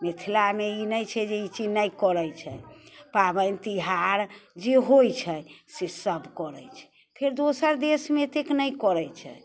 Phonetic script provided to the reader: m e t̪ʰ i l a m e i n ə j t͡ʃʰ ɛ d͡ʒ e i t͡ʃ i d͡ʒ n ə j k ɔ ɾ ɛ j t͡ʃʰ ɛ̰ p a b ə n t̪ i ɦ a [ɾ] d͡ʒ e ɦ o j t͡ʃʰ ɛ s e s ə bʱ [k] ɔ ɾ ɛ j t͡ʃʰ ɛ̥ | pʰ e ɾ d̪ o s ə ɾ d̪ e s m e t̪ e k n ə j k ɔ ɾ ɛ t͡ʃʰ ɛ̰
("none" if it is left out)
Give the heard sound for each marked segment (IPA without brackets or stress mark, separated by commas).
ɾ, k